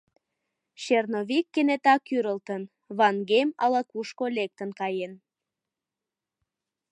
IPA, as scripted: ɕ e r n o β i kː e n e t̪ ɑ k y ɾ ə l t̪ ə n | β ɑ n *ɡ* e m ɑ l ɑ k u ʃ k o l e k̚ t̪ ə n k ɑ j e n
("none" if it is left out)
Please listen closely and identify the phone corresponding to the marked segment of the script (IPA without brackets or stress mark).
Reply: ɡ